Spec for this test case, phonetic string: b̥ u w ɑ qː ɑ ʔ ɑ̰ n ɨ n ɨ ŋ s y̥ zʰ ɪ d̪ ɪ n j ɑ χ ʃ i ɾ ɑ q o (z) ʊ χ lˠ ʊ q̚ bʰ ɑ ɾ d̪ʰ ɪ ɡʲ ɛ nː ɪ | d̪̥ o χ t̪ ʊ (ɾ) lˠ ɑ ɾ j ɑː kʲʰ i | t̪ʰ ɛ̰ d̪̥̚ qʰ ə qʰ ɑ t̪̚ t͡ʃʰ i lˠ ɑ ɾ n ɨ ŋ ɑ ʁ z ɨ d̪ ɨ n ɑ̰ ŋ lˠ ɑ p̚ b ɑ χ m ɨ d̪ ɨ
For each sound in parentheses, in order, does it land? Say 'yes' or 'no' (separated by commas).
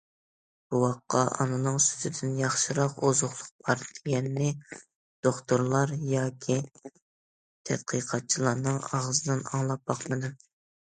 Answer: yes, yes